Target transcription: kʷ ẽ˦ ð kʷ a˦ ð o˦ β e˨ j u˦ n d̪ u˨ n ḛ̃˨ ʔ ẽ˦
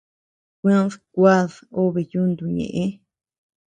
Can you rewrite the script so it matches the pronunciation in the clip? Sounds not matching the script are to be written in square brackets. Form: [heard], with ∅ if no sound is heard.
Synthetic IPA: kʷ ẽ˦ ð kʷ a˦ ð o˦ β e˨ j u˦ n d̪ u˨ [ɲ] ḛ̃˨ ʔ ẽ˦